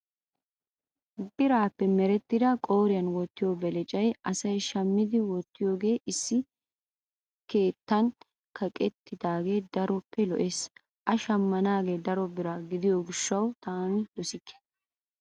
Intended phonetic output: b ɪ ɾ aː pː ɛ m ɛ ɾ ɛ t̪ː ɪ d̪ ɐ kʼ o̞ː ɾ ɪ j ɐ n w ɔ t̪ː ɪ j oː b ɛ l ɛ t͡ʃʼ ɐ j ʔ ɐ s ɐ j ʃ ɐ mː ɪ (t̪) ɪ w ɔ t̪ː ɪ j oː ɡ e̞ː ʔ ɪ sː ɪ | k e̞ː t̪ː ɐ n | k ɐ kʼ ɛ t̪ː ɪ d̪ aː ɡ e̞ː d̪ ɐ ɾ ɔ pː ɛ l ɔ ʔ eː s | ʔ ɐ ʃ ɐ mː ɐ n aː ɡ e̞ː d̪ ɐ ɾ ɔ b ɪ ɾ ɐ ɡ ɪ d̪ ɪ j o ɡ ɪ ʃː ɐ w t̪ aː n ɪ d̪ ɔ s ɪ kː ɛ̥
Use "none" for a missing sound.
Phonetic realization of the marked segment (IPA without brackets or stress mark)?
d̪